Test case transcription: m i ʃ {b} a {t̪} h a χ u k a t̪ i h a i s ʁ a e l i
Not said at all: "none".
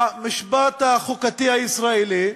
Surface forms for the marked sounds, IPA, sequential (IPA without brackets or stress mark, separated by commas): b, t̪